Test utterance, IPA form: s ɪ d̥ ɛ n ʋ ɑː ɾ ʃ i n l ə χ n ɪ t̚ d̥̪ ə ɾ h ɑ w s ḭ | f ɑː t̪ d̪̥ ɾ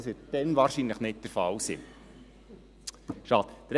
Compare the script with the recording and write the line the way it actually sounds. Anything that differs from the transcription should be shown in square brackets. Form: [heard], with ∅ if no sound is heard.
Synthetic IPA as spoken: s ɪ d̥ ɛ n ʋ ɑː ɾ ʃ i n l ə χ n ɪ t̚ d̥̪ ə ɾ [f] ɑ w s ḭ | [ʃ] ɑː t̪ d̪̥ ɾ